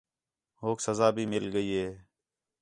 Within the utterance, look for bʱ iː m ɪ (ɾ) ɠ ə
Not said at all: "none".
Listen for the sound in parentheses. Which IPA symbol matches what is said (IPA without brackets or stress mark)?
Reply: l